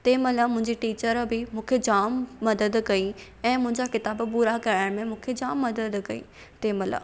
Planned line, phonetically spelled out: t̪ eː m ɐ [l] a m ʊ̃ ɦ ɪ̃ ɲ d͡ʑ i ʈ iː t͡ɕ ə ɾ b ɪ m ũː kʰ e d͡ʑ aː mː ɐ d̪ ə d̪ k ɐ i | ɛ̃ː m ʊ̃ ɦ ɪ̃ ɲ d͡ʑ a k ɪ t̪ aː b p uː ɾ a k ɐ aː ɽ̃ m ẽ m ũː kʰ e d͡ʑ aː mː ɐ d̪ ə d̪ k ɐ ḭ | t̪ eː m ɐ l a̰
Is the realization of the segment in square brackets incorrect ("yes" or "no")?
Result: no